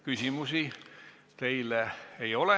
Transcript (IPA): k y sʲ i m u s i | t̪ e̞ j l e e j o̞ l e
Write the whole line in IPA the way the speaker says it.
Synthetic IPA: k y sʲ i m u s i | t̪ e̞ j l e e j o̞ l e